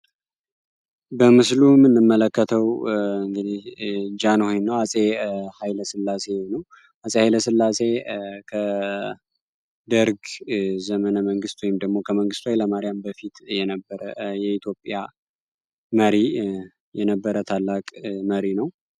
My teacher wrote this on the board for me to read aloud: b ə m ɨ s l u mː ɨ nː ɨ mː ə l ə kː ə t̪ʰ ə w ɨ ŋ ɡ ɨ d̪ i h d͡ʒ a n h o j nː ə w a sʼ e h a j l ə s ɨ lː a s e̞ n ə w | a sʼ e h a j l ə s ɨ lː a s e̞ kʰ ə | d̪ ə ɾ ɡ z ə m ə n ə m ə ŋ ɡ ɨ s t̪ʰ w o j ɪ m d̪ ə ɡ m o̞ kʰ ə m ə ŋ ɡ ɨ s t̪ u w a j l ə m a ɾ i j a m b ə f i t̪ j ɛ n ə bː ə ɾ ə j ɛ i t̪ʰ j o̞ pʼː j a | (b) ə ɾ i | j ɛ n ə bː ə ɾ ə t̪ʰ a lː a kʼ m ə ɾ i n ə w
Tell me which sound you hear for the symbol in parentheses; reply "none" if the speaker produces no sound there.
m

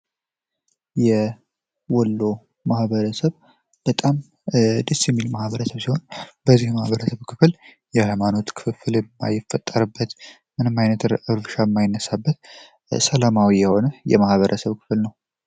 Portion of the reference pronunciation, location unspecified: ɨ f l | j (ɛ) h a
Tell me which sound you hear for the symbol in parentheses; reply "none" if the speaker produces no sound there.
ɛ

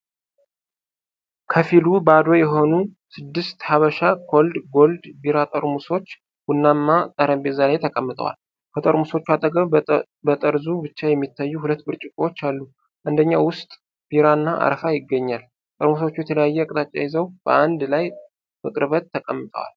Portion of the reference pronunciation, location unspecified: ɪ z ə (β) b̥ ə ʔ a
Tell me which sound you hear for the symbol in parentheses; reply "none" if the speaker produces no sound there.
w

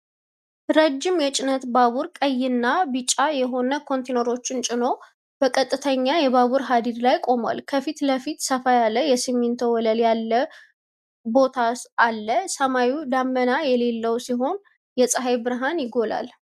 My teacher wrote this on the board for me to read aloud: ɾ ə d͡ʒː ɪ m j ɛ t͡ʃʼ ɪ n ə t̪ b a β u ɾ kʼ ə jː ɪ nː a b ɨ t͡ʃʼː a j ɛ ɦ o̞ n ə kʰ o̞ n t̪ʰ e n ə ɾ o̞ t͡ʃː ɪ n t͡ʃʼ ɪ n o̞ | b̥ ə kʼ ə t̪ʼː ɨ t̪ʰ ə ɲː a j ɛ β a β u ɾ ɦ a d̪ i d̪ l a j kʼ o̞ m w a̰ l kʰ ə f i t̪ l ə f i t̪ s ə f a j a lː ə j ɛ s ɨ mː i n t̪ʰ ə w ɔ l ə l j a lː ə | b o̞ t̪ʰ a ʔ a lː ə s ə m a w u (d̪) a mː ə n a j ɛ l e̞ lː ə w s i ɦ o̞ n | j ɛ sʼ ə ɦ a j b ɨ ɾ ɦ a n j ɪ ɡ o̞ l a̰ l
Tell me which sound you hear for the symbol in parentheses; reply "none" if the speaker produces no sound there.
d̪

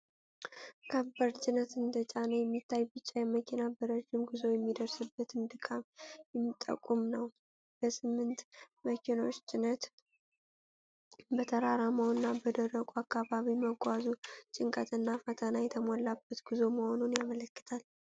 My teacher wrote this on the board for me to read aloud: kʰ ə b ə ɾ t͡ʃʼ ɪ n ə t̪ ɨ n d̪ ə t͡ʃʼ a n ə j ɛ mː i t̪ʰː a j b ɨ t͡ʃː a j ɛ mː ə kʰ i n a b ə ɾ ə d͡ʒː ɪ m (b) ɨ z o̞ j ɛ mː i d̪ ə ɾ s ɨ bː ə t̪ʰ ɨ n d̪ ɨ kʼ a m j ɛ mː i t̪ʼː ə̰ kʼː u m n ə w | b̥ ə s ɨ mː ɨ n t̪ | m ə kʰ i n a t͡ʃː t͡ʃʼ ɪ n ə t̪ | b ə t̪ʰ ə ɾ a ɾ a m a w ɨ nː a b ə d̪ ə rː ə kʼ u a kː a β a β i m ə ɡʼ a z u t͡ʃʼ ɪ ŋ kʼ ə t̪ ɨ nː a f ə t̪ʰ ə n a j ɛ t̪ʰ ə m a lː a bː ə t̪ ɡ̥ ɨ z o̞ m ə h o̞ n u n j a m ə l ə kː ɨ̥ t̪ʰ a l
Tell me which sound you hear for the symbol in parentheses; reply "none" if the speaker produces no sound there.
ɡ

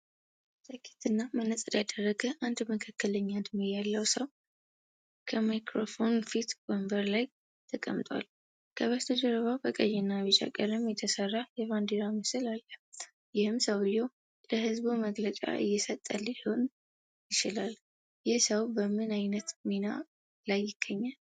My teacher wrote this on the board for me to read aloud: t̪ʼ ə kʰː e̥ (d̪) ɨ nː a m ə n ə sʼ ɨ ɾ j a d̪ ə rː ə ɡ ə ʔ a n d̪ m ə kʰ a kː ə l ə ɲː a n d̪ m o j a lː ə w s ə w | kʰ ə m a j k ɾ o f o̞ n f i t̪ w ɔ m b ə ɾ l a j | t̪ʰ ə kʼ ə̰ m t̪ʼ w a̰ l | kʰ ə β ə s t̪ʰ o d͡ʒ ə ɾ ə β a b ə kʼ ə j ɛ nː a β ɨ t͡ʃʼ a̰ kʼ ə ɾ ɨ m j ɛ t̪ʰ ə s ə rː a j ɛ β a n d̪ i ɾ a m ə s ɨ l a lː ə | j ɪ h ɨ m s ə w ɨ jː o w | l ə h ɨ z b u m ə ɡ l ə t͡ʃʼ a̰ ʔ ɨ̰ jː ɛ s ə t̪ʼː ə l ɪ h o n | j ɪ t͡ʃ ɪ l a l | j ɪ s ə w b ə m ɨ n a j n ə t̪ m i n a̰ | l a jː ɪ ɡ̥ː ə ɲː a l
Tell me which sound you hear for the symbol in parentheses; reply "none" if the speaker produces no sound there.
t̪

